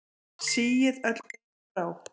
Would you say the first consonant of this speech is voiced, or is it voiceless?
voiceless